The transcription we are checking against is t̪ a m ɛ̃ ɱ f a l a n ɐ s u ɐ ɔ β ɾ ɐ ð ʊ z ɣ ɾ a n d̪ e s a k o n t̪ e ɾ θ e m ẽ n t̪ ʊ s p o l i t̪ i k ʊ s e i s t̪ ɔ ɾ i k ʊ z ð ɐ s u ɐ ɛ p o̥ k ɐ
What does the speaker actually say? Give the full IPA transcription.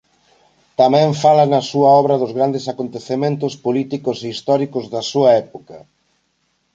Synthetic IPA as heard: t̪ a m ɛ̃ ɱ f a l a n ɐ s u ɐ ɔ β ɾ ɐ ð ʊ z ɣ ɾ a n d̪ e s a k o n t̪ e θ e m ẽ n t̪ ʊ s p o l i t̪ i k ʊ s e i s t̪ ɔ ɾ i k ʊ z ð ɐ s u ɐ ɛ p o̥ k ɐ